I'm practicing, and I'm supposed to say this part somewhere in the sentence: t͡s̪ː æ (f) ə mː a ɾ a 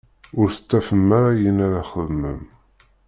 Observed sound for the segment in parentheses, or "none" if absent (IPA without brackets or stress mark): f